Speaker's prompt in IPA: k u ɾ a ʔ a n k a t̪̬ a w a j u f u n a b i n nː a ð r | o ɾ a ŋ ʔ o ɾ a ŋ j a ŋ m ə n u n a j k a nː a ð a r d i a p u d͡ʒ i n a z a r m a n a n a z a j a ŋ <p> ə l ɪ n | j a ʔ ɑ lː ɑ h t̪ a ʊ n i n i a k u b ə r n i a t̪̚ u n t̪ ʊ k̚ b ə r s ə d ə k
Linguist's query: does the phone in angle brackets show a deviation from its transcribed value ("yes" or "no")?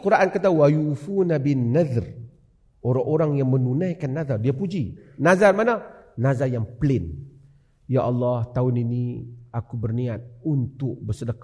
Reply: no